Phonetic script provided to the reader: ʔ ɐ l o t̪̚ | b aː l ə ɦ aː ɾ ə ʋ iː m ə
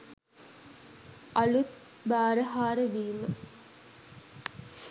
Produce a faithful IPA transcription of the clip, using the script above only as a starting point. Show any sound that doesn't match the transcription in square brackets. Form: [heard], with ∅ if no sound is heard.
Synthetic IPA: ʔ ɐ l [u] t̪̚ | b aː [ɾ] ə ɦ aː ɾ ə ʋ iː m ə